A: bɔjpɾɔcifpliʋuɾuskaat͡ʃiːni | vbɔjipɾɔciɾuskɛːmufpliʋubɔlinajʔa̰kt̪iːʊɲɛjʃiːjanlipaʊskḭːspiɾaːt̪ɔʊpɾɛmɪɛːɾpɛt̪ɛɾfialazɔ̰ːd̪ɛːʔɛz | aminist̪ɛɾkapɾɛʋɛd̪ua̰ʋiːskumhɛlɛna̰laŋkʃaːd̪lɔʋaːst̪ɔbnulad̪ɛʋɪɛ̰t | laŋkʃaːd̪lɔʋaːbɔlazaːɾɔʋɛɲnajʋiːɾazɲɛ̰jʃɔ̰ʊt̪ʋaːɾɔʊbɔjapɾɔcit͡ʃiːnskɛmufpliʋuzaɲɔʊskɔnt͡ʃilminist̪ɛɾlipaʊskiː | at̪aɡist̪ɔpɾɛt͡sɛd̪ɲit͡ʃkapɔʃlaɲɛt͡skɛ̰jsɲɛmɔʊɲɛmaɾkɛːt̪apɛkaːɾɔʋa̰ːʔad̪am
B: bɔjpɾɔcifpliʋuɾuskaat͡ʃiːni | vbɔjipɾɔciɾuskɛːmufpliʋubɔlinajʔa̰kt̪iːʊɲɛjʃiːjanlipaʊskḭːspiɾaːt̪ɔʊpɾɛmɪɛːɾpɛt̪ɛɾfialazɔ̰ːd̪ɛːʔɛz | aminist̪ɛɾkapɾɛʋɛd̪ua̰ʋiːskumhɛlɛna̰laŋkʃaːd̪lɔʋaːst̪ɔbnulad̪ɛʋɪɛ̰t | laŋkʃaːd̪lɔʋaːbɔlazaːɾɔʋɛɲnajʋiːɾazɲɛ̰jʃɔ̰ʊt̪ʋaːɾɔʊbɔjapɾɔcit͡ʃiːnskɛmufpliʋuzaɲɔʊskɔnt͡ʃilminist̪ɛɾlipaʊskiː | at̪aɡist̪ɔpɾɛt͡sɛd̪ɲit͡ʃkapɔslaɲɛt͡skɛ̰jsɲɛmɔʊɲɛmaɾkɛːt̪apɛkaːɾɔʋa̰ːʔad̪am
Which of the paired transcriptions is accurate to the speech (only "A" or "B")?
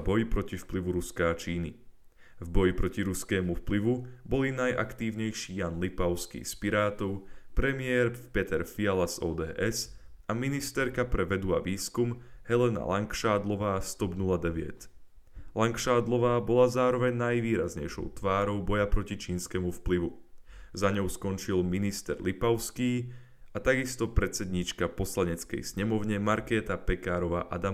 B